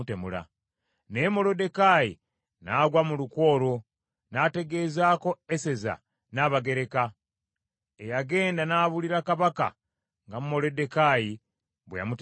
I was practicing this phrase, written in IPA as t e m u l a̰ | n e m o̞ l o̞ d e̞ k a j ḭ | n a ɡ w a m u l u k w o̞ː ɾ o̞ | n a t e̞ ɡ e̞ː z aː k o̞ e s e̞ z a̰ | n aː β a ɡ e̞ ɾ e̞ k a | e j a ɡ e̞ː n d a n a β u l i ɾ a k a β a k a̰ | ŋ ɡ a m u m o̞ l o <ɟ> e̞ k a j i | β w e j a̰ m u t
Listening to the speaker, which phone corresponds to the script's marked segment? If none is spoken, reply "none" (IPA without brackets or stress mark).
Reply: d